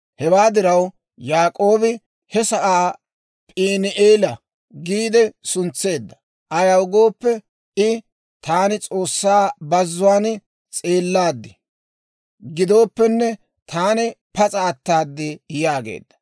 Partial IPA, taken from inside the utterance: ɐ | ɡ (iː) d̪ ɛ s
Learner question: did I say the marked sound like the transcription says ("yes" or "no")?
yes